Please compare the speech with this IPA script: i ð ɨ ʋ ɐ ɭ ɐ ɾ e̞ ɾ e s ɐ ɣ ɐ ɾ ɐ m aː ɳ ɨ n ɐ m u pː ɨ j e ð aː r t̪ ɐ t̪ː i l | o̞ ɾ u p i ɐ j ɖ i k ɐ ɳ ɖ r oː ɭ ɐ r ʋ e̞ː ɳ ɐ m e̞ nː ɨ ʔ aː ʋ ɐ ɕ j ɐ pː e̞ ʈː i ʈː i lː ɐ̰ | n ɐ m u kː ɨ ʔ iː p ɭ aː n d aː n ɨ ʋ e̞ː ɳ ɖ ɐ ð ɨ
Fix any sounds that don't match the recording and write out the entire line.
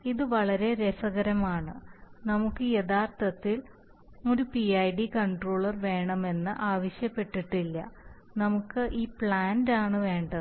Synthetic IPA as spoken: i ð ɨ ʋ ɐ ɭ ɐ ɾ e̞ ɾ e s ɐ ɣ ɐ ɾ ɐ m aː ɳ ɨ n ɐ m u kː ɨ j e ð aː r t̪ ɐ t̪ː i l | o̞ ɾ u p i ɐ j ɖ i k ɐ ɳ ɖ r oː ɭ ɐ r ʋ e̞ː ɳ ɐ m e̞ nː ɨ ʔ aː ʋ ɐ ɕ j ɐ pː e̞ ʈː i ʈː i lː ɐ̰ | n ɐ m u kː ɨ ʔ iː p ɭ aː n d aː ɳ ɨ ʋ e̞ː ɳ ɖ ɐ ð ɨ